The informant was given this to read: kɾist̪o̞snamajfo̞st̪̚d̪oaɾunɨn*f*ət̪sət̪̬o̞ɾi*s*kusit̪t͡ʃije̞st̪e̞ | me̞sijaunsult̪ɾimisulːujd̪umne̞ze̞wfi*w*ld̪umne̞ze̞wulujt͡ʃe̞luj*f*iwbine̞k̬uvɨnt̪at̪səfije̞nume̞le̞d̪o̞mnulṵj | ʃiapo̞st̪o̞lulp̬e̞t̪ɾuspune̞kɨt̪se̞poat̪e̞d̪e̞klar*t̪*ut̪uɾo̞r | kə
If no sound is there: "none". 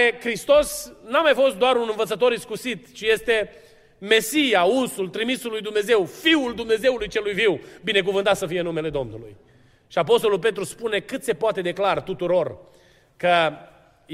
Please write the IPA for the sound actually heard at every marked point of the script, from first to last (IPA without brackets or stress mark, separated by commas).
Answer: v, s, u, v, t̪